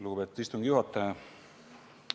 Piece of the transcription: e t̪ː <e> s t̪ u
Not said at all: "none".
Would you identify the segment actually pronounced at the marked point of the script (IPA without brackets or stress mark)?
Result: i